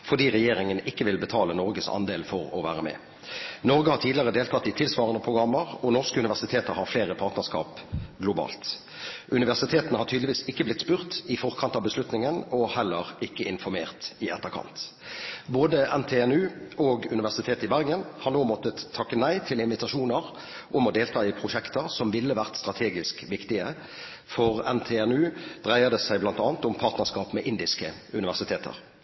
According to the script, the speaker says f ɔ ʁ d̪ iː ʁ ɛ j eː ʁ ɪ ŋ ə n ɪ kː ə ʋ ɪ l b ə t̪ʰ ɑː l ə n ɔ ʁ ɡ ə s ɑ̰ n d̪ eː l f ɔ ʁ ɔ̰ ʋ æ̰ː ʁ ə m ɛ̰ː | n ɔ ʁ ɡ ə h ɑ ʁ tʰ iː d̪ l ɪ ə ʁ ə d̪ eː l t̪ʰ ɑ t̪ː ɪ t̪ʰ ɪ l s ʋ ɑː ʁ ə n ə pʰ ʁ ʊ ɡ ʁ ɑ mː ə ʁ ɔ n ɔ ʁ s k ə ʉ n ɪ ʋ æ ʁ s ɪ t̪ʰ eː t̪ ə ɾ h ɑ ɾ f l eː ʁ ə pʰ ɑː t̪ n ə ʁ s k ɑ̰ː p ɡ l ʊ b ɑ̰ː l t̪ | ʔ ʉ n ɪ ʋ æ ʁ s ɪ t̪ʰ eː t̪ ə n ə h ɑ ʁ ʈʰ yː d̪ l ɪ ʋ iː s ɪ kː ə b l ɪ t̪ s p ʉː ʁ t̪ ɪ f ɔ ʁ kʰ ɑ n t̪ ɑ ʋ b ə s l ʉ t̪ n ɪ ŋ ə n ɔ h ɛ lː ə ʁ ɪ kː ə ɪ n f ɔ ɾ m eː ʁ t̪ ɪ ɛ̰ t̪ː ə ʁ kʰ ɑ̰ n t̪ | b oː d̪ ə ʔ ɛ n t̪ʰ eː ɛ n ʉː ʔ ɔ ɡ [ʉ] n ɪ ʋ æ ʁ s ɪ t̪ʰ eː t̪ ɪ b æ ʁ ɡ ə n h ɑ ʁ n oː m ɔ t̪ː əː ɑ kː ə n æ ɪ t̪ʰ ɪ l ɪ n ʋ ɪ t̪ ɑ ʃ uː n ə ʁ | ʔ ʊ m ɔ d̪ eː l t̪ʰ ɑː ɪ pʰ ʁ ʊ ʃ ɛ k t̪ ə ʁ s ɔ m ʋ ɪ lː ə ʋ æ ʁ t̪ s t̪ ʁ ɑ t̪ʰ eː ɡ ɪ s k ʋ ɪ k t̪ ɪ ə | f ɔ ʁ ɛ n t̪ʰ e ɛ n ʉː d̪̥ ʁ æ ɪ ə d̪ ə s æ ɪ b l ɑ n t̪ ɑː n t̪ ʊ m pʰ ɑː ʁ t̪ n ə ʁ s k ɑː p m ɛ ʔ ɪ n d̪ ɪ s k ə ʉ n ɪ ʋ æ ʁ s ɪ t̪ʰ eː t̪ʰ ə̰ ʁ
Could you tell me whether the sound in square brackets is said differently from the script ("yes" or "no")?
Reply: no